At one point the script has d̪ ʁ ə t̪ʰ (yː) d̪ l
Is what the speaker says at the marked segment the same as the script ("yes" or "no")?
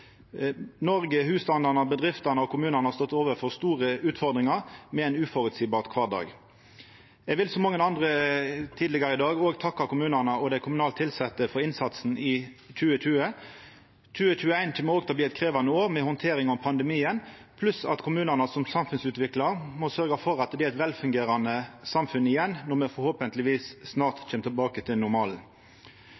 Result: no